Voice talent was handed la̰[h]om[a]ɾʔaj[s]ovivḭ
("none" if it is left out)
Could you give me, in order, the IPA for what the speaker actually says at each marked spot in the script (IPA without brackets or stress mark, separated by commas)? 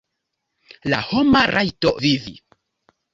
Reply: h, a, t